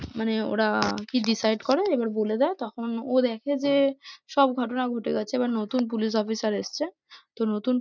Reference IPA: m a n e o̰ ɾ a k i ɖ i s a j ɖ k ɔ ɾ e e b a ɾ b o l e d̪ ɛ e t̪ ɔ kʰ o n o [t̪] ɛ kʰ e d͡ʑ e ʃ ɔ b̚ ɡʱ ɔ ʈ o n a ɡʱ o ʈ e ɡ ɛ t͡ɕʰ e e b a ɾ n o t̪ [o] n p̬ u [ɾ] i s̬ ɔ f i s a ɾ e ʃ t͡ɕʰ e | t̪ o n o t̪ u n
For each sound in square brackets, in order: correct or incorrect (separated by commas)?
incorrect, incorrect, incorrect